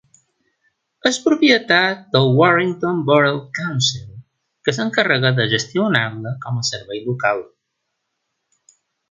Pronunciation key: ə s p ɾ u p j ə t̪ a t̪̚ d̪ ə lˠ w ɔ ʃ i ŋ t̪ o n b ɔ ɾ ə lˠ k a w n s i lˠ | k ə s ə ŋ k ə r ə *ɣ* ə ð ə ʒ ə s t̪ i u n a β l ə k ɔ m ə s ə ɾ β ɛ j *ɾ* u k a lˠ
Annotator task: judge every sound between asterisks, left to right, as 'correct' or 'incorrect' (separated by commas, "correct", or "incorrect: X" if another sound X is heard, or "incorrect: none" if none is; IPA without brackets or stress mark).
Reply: correct, incorrect: l